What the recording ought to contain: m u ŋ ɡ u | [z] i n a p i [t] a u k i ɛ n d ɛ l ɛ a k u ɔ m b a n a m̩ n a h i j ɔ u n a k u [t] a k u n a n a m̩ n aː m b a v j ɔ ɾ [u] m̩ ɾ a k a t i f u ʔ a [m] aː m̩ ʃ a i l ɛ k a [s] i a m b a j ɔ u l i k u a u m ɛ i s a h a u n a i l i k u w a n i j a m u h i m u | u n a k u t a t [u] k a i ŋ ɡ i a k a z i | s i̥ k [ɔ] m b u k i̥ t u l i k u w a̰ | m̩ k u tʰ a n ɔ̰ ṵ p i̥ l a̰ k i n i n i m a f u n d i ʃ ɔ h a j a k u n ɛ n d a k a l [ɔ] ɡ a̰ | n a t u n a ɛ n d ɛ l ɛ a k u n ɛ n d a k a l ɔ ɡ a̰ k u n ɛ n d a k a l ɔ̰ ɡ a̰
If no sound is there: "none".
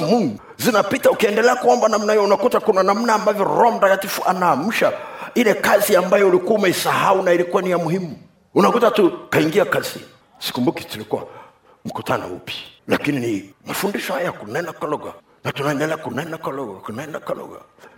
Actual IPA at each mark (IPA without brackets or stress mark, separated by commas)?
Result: z, t, t, ɔ, n, z, u, u, ɔ